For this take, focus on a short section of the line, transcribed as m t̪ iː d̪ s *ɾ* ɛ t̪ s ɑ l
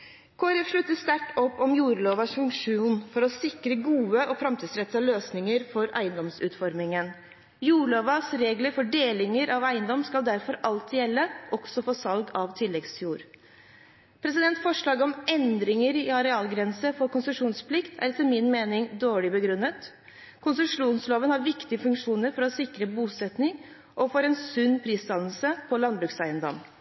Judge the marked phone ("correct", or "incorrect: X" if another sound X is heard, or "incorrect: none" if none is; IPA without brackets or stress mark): correct